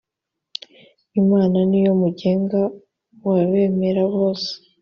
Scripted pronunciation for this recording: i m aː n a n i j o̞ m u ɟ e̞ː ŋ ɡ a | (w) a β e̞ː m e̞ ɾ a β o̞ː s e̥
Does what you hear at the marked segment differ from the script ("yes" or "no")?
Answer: no